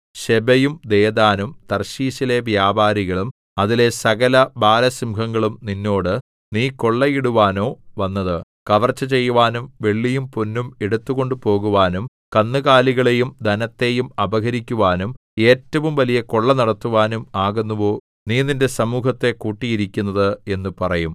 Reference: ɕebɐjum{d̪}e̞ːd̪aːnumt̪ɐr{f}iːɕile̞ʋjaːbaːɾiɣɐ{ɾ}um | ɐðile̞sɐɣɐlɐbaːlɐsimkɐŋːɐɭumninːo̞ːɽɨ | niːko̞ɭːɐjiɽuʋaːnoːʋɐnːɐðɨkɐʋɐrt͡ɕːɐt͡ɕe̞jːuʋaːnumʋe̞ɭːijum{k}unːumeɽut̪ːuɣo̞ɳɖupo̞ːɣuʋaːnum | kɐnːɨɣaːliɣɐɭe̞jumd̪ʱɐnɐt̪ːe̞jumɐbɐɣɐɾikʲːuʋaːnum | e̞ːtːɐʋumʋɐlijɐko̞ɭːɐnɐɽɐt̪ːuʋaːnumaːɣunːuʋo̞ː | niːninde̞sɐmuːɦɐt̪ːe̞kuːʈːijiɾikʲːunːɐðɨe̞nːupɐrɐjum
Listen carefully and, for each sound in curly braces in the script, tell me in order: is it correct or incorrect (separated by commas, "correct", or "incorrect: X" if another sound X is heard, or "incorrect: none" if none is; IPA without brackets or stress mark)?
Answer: correct, incorrect: ɕ, incorrect: ɭ, incorrect: p